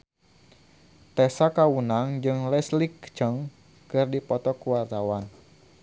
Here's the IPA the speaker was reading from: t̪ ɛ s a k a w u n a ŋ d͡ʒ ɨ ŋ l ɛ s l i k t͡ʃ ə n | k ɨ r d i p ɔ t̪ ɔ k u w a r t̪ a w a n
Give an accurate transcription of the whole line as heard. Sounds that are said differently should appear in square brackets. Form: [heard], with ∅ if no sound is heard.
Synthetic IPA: t̪ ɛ s a k a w u n a ŋ d͡ʒ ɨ ŋ l ɛ s l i k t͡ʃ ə [ŋ] | k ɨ r d i p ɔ t̪ ɔ k u w a r t̪ a w a n